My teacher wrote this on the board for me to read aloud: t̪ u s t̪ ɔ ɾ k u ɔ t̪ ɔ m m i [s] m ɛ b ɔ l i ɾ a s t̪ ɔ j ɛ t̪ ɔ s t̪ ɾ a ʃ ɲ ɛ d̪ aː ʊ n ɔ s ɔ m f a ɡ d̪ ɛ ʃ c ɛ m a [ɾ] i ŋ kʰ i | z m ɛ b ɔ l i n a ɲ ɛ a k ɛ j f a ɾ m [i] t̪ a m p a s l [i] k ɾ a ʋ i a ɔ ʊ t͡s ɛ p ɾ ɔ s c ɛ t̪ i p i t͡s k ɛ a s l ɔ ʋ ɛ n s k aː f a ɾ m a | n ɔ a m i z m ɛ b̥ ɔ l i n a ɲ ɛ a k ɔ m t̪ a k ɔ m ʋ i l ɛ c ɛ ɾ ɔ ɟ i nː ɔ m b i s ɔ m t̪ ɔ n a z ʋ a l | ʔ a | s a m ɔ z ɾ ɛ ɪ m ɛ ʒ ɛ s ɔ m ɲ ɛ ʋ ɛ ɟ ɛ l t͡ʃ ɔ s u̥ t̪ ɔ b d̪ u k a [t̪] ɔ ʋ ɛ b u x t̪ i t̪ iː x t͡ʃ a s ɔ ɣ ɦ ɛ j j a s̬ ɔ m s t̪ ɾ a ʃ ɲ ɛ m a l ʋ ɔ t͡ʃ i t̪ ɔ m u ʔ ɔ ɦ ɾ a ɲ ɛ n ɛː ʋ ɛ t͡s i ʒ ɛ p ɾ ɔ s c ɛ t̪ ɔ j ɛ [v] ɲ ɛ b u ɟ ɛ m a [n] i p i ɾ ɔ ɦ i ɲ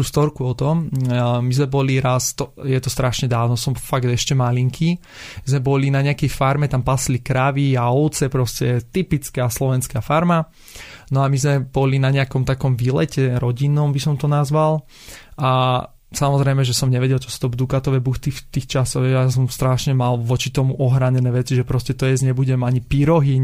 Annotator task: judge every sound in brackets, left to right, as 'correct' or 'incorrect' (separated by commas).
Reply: incorrect, incorrect, incorrect, correct, correct, incorrect, incorrect